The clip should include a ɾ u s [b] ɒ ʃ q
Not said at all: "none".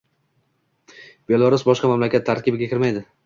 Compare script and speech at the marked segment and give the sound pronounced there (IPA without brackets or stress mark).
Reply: b